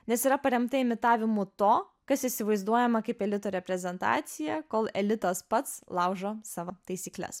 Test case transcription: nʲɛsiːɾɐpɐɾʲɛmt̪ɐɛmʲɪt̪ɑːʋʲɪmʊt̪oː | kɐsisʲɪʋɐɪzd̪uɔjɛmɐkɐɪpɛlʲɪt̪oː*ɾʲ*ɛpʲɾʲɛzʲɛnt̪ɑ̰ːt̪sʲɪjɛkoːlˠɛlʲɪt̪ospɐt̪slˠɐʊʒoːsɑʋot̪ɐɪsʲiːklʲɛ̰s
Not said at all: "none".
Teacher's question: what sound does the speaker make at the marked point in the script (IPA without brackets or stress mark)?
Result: ɾʲ